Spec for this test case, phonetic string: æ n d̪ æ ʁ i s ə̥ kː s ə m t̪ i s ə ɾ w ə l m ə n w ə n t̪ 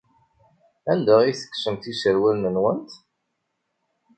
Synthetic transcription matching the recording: æ n d̪ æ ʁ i θ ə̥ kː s ə m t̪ i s ə ɾ w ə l n ə n w ə n t̪